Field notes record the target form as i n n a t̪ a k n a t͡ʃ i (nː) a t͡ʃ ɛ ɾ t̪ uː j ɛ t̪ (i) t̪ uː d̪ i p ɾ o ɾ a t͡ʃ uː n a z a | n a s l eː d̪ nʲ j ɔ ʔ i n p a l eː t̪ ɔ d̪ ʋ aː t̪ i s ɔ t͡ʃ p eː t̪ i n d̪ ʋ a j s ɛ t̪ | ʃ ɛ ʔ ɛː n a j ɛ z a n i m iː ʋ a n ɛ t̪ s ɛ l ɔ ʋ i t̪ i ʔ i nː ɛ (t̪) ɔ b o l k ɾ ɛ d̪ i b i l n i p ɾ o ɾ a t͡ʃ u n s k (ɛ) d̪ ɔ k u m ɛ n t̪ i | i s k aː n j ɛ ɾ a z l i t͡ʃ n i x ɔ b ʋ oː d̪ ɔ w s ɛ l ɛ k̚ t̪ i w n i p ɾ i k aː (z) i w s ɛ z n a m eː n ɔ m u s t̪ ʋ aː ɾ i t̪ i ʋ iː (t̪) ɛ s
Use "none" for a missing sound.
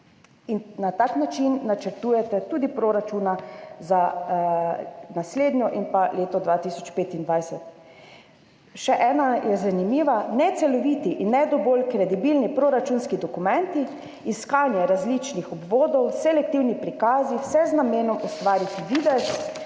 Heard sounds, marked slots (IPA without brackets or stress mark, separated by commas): nː, ɛ, d̪, i, z, d̪